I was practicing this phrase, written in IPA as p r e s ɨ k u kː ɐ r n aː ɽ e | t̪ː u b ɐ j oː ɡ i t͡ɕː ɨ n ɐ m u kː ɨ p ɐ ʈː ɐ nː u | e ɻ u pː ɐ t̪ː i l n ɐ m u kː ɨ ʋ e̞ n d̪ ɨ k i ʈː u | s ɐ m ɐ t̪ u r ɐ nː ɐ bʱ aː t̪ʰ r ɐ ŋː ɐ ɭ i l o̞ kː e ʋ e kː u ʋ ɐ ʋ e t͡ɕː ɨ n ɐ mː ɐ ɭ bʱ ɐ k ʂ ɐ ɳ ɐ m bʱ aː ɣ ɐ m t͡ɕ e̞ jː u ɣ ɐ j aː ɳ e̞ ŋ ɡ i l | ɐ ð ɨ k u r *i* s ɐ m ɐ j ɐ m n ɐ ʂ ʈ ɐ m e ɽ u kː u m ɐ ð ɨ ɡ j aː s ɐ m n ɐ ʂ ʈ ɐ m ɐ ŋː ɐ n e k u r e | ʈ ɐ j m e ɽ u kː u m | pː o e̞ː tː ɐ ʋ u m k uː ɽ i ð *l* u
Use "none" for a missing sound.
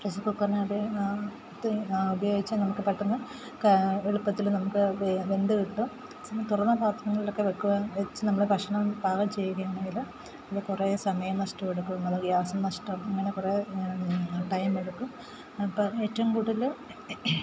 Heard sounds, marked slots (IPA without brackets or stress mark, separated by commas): e, l